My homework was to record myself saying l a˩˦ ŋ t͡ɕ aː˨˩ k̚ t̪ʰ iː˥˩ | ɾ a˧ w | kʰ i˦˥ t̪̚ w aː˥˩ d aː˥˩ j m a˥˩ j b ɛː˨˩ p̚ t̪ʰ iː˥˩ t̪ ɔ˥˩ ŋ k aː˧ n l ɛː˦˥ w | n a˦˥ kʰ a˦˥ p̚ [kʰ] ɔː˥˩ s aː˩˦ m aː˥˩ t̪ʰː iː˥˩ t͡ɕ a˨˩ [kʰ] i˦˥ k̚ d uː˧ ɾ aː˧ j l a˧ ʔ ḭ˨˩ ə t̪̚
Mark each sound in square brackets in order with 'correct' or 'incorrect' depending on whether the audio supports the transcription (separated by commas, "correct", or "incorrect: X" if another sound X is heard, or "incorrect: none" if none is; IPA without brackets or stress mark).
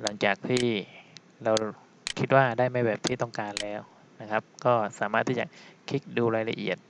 incorrect: k, correct